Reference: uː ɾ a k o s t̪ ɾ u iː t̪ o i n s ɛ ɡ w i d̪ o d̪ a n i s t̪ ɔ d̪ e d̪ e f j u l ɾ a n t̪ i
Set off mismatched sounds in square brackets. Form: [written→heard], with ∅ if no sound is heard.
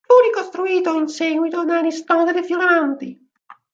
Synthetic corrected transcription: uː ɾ [a→i] k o s t̪ ɾ u iː t̪ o i n s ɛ ɡ w i [d̪→t̪] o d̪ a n i s t̪ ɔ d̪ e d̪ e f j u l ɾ a n t̪ i